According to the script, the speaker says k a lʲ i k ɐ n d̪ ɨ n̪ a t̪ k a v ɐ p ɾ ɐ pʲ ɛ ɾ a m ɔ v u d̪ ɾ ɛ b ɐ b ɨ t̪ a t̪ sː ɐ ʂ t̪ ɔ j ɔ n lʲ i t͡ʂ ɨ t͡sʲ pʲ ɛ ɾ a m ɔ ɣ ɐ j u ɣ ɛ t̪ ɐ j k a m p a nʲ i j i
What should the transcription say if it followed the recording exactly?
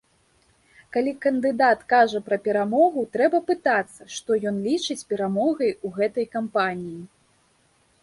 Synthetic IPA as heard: k a lʲ i k ɐ n d̪ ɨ d̪ a t̪ k a ʐ ɐ p ɾ ɐ pʲ ɛ ɾ a m ɔ ɣ u t̪ ɾ ɛ b ɐ p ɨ t̪ a t̪ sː ɐ ʂ t̪ ɔ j ɔ n lʲ i t͡ʂ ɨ t͡sʲ pʲ ɛ ɾ a m ɔ ɣ ɐ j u ɣ ɛ t̪ ɐ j k a m p a nʲ i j i